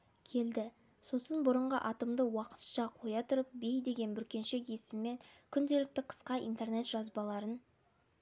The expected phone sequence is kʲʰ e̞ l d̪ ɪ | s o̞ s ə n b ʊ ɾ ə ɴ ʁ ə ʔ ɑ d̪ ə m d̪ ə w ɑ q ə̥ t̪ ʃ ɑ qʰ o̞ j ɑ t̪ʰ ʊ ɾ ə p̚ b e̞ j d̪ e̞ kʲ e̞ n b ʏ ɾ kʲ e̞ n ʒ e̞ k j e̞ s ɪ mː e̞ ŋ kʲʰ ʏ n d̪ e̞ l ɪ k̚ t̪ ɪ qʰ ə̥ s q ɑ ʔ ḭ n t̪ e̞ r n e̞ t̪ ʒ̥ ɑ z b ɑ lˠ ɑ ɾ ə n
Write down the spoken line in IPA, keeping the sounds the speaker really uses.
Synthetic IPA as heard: kʲʰ e̞ l d̪ ɪ | s o̞ s ə n b ʊ ɾ ə ɴ ʁ ə ʔ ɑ t̪ ə m d̪ ə w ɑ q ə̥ t̪ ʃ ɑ qʰ o̞ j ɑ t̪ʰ ʊ ɾ ə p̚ b e̞ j d̪ e̞ ɡʲ e̞ n b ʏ ɾ kʲ e̞ n ʃ e̞ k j e̞ s ɪ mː e̞ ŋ kʲʰ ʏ n d̪ e̞ l ɪ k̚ t̪ ɪ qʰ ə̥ s q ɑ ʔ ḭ n t̪ e̞ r n e̞ t̪ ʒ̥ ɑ z b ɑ lˠ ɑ ɾ ə n